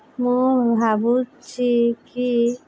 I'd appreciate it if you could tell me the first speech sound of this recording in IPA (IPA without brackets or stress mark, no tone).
m